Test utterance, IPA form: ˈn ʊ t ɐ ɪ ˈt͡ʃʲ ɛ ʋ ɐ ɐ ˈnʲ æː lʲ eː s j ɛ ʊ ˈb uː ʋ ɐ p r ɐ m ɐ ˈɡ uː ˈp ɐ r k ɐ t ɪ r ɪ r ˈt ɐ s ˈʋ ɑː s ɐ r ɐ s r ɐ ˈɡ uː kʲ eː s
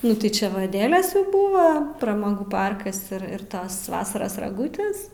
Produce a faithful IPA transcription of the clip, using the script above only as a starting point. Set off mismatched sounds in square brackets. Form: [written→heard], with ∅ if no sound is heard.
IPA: ˈn ʊ t ɐ ɪ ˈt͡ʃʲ ɛ ʋ ɐ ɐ [ˈnʲ→ˈdʲ] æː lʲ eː s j ɛ ʊ ˈb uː ʋ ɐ p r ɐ m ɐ ˈɡ uː ˈp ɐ r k ɐ [t→s] ɪ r ɪ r ˈt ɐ s ˈʋ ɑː s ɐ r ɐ s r ɐ ˈɡ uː [kʲ→tʲ] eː s